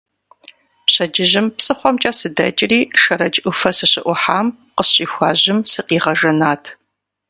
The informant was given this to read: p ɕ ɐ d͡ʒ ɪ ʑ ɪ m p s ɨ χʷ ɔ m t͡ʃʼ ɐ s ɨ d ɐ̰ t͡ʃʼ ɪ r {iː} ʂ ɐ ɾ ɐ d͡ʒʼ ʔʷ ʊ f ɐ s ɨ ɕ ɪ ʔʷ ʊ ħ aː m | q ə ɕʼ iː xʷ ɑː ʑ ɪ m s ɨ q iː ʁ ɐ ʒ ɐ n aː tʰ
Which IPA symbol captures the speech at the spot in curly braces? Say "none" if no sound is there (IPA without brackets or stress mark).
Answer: iː